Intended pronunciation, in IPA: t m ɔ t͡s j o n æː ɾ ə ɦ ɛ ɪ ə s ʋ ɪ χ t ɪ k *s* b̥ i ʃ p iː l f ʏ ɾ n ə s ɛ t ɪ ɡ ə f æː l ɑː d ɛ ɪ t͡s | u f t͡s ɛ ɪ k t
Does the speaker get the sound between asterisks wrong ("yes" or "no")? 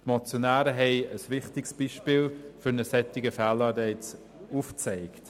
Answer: no